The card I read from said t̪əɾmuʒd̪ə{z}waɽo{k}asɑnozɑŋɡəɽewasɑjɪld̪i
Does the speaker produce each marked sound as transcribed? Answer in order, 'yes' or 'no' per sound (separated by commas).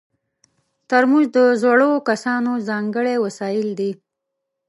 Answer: yes, yes